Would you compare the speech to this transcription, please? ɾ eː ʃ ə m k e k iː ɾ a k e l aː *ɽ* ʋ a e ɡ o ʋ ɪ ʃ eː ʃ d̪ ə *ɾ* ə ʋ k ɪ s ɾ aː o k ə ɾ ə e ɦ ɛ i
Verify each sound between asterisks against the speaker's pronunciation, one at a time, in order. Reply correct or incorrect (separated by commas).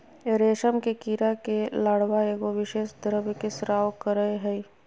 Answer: correct, correct